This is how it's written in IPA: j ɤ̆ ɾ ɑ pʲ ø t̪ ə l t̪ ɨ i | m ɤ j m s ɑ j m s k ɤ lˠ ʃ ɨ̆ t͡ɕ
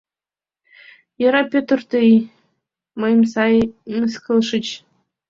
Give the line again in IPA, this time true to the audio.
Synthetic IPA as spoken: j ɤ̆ ɾ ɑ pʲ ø t̪ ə r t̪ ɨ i | m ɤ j m s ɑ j m s k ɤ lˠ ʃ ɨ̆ t͡ɕ